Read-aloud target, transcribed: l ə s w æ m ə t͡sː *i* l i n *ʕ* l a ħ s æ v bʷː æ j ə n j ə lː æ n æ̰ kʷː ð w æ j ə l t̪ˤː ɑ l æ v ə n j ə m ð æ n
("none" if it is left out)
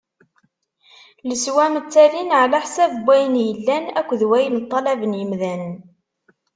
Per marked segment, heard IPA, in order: æ, ʕ

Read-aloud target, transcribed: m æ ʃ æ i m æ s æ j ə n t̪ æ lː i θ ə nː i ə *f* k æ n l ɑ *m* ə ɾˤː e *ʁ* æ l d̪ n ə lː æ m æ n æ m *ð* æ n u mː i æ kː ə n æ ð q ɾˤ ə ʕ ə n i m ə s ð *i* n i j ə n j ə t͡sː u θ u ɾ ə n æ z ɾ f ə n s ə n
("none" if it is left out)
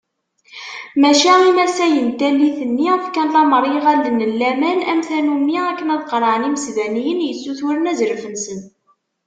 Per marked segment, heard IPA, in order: f, m, ʁ, θ, æ

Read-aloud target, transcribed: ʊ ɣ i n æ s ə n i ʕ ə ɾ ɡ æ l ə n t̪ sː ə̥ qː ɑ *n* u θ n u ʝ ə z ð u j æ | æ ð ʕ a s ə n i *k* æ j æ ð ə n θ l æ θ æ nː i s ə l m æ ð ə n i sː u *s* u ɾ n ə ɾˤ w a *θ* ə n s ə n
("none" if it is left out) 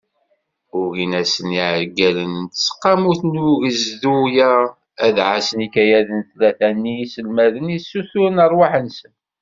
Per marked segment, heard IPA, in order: m, k, θ, ħ

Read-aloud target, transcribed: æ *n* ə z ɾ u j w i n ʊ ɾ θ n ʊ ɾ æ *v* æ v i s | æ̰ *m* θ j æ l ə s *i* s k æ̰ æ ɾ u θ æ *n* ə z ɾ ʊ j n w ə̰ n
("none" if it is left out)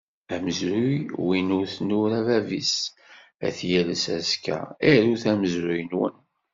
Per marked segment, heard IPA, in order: m, v, none, æ, m

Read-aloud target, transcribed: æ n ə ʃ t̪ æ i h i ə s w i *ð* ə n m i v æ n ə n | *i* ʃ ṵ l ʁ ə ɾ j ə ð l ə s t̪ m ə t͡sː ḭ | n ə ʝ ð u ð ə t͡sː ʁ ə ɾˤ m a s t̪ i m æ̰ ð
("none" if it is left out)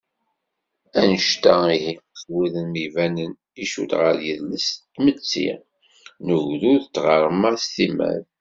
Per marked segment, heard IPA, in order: ð, i

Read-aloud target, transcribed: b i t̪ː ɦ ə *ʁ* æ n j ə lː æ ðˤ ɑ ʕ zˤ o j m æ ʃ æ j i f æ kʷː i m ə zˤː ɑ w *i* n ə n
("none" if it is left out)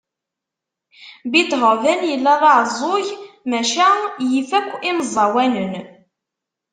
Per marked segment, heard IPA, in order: v, æ

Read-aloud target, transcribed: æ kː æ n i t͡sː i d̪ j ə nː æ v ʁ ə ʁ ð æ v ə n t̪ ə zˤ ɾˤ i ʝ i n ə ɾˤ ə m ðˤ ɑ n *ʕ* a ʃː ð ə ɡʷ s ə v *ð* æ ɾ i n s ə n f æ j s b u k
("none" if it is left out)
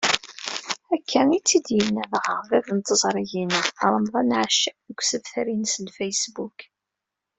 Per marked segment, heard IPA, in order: ʕ, θ

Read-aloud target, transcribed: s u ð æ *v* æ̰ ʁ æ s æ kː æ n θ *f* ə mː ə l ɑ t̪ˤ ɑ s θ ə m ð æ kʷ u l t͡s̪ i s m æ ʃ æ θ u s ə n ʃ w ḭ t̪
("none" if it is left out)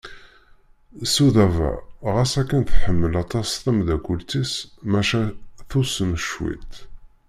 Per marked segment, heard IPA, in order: v, ħ

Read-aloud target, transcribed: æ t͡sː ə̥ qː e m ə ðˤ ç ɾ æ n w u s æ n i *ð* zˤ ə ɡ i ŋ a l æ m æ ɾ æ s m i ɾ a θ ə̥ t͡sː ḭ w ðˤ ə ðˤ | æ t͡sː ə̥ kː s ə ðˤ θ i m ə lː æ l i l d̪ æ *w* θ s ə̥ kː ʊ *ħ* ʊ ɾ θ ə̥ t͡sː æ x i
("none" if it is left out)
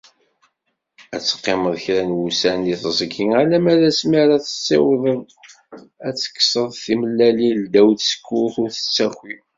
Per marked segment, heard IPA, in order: θ, w, θ

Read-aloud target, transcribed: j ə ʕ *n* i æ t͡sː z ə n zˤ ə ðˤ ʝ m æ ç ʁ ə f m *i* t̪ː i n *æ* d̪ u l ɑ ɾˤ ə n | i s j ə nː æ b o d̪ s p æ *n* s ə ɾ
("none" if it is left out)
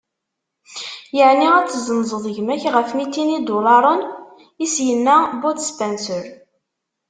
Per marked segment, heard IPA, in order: n, i, i, n

